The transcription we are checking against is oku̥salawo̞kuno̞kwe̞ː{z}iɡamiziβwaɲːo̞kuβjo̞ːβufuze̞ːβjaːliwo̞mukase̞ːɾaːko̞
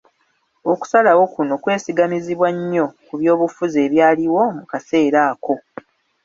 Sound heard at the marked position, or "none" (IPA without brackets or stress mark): s